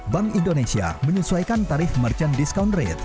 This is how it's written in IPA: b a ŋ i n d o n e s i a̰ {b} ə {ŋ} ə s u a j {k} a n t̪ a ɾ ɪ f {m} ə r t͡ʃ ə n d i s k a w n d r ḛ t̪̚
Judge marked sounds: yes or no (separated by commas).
no, no, yes, yes